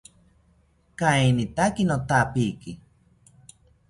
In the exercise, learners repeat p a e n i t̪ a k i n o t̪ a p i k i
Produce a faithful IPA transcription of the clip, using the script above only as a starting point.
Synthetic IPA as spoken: k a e n i t̪ a k i n o t̪ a p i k i